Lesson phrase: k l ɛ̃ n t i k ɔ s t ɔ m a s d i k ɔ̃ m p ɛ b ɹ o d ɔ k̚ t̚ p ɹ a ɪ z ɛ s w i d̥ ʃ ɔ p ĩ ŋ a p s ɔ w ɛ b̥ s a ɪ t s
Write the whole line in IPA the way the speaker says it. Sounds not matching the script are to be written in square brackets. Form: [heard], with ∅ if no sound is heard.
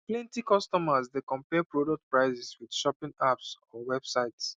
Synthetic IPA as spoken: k l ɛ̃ n t i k ɔ s t ɔ m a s d [e] k ɔ̃ m p ɛ [p] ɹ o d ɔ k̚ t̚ p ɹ a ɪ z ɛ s w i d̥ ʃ ɔ p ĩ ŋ a p s ɔ w ɛ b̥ s a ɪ t s